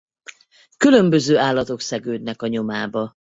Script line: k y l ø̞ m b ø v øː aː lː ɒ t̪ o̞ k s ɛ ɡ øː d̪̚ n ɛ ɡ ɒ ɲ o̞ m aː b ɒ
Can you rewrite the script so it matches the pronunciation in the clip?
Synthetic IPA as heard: k y l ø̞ m b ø z øː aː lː ɒ t̪ o̞ k s ɛ ɡ øː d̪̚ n ɛ k ɒ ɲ o̞ m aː b ɒ